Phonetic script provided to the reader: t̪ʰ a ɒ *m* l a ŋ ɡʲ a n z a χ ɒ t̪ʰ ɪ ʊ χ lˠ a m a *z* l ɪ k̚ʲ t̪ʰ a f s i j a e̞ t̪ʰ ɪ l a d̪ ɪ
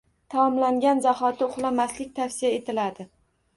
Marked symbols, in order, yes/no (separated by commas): yes, no